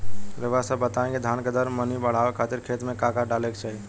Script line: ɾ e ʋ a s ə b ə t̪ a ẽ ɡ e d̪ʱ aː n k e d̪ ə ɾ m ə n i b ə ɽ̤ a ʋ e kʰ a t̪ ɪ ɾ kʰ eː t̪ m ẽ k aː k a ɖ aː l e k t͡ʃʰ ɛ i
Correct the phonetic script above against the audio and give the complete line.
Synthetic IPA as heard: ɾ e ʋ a s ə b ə t̪ a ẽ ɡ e d̪ʱ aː n k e d̪ ə ɾ m ə n i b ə ɽ̤ a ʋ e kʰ a t̪ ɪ ɾ kʰ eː t̪ m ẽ k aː k a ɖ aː l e k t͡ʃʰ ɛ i